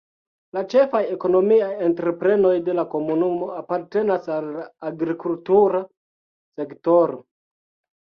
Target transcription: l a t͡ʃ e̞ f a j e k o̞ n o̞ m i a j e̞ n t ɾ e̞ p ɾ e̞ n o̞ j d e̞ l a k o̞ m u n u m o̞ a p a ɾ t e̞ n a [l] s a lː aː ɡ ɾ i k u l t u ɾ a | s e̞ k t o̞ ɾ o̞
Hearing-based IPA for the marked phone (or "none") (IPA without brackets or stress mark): none